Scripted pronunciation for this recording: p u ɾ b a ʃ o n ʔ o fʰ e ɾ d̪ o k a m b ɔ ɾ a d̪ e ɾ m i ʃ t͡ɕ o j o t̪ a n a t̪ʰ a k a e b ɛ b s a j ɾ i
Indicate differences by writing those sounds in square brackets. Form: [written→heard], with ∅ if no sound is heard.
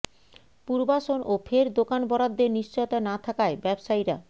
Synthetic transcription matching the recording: p u ɾ b a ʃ o n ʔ o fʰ e ɾ d̪ o k a [m→n] b ɔ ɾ a [d̪→d̪ː] e ɾ [m→n] i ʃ t͡ɕ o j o t̪ a n a t̪ʰ a k a e b ɛ b [s→ʃ] a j ɾ [i→a]